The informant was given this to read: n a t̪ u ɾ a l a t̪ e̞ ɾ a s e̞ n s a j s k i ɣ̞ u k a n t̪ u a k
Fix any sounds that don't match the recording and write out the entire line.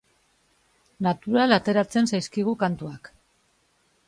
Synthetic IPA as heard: n a t̪ u ɾ a l a t̪ e̞ ɾ a t͡s e̞ n s a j s k i ɣ̞ u k a n t̪ u a k